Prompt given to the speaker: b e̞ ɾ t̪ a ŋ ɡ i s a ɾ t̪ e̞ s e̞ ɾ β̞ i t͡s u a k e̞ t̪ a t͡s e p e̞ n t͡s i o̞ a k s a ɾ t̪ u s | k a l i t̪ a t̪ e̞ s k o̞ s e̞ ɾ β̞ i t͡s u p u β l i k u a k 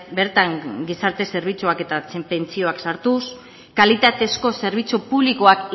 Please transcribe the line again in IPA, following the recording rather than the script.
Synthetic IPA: b e̞ ɾ t̪ a ŋ ɡ i s a ɾ t̪ e̞ s e̞ ɾ β̞ i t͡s u a k e̞ t̪ a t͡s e p e̞ n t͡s i o̞ a k s a ɾ t̪ u s | k a l i t̪ a t̪ e̞ s k o̞ s e̞ ɾ β̞ i t͡s u p u β l i k o a k